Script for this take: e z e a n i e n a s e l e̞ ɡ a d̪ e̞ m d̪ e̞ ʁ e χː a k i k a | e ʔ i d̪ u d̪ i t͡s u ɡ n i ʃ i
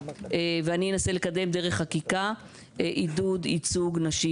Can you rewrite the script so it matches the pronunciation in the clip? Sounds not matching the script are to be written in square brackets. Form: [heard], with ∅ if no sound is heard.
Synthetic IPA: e [v] e a n i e n a s e l e̞ [k] a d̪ e̞ m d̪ e̞ ʁ e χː a k i k a | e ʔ i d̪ u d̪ i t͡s u ɡ n [a] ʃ i